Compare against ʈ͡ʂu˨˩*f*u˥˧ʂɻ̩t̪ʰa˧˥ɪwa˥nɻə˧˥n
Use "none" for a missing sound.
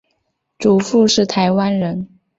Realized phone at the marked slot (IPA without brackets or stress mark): f